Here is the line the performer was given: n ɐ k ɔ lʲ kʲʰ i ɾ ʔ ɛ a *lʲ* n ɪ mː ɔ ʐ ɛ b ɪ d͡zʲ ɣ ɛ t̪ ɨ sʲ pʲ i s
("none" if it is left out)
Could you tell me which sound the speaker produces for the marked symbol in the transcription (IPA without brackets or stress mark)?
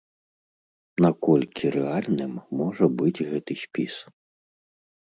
lʲ